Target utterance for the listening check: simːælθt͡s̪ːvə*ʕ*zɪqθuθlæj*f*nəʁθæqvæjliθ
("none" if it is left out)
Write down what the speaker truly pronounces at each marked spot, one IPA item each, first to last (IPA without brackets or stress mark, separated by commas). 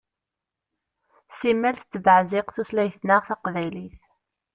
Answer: ʕ, θ